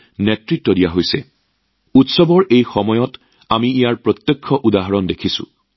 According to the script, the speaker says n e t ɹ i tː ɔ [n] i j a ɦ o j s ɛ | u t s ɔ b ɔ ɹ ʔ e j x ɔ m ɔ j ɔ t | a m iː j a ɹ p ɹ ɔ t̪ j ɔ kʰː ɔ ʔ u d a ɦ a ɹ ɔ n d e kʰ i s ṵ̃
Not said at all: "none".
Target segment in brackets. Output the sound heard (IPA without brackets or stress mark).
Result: d